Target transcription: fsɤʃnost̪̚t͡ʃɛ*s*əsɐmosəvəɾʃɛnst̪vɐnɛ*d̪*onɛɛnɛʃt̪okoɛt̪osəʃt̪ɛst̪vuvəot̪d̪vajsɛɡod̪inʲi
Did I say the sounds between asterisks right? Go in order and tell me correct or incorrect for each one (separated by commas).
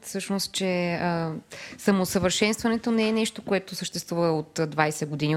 incorrect, incorrect